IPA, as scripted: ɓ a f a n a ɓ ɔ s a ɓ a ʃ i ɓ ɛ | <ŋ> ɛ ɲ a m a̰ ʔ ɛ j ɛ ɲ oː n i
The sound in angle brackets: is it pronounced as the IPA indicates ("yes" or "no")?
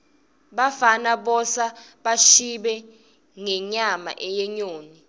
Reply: yes